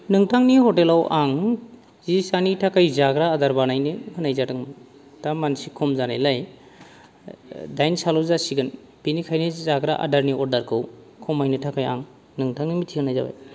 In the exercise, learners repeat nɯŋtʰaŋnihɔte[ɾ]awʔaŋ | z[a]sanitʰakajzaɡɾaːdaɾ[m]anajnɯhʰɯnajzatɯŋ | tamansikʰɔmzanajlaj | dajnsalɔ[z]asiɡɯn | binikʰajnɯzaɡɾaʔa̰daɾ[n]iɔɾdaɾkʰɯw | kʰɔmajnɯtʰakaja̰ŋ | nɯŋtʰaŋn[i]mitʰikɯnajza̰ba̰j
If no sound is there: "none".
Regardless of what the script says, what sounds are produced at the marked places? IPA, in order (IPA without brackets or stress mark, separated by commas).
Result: l, i, b, z, n, i